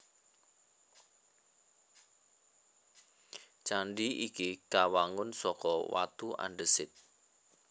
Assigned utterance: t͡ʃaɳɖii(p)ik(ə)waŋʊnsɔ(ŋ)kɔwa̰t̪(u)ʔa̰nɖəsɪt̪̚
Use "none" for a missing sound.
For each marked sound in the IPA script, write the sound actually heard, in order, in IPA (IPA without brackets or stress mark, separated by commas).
k, a, none, u